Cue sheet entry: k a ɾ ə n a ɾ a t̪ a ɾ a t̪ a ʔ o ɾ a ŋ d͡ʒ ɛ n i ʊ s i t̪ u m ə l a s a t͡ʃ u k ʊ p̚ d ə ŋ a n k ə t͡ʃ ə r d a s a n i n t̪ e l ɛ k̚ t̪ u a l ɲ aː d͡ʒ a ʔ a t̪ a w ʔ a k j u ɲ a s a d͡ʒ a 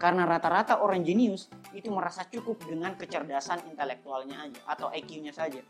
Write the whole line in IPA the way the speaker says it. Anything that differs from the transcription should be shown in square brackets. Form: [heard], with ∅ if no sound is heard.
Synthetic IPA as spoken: k a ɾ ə n a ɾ a t̪ a ɾ a t̪ a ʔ o ɾ a ŋ d͡ʒ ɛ n i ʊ s i t̪ u m ə [ɾ] a s a t͡ʃ u k ʊ p̚ d ə ŋ a n k ə t͡ʃ ə r d a s a n i n t̪ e l ɛ k̚ t̪ u a l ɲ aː d͡ʒ a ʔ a t̪ a w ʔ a k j u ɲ a s a d͡ʒ a